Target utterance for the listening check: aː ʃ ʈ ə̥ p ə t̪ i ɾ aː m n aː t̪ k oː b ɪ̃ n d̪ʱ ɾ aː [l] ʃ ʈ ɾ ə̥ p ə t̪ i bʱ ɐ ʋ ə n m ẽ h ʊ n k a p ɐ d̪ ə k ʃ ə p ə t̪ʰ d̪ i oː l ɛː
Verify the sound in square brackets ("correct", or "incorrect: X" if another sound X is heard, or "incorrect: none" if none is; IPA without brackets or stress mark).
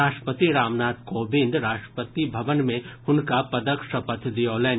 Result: incorrect: none